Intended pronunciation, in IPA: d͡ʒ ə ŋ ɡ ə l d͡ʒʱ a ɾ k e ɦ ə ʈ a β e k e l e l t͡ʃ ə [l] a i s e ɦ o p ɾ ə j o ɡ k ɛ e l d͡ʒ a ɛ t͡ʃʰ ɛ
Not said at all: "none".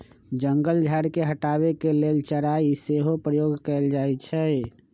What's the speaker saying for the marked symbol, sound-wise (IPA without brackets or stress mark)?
ɾ